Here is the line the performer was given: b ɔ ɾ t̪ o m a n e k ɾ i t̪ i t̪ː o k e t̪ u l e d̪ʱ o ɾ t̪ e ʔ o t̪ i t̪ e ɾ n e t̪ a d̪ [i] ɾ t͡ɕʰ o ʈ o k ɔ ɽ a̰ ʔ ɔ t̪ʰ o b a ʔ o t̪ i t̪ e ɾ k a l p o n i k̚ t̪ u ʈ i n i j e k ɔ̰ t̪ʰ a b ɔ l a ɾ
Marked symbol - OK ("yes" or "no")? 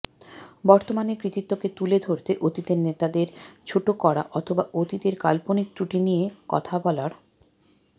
no